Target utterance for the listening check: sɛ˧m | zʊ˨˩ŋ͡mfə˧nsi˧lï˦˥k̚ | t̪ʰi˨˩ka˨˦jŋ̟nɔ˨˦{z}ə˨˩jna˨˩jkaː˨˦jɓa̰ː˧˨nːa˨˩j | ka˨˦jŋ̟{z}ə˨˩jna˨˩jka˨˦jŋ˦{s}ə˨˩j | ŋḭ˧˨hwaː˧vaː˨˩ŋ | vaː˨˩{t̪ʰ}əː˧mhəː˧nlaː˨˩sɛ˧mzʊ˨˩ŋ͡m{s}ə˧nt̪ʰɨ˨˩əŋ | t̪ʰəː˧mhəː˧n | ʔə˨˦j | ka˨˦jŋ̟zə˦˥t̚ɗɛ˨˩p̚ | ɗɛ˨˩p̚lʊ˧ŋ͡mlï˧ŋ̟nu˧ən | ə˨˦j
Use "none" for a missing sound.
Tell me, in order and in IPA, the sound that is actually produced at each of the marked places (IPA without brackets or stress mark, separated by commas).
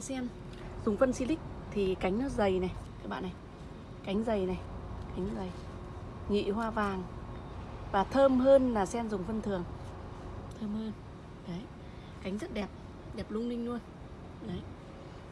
z, z, z, t̪ʰ, f